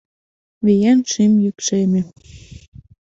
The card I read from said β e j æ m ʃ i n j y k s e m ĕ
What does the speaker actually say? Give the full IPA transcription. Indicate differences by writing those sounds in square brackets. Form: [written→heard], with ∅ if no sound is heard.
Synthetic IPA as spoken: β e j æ [m→n] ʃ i [n→m] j y k [s→ʃ] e m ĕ